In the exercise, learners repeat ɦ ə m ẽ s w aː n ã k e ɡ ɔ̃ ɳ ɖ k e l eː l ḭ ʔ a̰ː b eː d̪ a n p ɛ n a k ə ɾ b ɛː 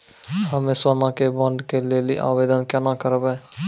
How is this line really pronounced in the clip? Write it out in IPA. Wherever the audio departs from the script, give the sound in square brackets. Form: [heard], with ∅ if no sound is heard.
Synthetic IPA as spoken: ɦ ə m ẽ s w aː n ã k e [b] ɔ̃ ɳ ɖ k e l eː l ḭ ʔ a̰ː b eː d̪ [ə] n [k] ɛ n a k ə ɾ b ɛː